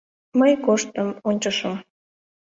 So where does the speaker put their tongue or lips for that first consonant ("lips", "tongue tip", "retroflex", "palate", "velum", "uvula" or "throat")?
lips